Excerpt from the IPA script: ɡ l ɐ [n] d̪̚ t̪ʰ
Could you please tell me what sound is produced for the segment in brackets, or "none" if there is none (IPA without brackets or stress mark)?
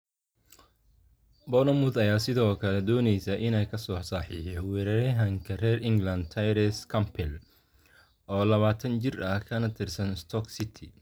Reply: n